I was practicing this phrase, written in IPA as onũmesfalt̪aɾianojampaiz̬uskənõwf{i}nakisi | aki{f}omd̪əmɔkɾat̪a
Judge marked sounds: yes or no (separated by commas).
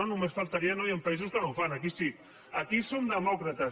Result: no, no